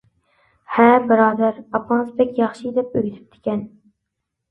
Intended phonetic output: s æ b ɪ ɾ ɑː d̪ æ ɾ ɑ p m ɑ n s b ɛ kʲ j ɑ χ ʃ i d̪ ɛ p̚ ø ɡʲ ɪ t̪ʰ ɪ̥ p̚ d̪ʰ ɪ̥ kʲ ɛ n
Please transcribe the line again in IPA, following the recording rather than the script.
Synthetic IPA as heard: h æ b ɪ ɾ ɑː d̪ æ ɾ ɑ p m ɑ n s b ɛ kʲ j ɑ χ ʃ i d̪ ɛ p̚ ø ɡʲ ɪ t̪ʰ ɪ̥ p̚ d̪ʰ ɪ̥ kʲ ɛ n